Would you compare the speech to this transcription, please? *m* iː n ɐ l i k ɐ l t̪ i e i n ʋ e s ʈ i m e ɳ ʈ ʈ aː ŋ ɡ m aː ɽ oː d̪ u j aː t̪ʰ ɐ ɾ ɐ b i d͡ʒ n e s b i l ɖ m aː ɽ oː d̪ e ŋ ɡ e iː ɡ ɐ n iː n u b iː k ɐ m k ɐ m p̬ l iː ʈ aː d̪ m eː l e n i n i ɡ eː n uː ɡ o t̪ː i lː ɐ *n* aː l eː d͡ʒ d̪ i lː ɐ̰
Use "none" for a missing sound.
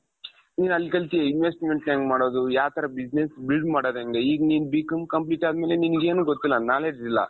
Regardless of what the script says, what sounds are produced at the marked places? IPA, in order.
n, n

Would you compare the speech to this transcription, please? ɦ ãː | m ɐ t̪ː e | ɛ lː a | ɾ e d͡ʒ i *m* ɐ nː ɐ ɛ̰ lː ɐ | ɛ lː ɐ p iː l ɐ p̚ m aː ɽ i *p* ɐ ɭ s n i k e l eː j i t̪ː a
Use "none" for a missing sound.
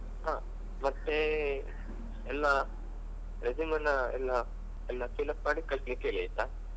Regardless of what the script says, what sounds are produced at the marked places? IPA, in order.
m, k

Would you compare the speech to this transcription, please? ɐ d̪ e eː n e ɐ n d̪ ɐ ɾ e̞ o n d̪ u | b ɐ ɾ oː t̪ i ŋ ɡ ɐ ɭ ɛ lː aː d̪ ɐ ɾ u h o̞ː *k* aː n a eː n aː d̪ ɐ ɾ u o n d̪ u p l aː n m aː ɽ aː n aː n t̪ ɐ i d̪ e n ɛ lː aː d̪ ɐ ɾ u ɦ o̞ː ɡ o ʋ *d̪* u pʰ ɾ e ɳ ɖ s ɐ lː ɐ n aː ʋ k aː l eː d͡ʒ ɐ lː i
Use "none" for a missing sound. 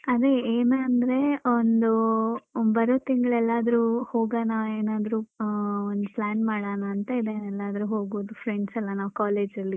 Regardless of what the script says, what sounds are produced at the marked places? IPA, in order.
ɡ, d̪

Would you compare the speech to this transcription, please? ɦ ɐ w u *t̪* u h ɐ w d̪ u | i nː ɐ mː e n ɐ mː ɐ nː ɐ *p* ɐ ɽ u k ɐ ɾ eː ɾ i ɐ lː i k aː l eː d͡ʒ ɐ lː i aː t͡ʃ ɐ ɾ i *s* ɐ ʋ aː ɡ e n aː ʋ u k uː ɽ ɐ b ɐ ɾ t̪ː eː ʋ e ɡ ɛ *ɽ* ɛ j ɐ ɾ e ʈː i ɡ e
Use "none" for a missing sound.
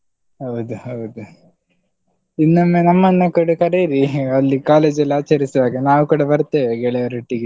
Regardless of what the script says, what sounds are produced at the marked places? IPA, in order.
d̪, k, s, ɭ

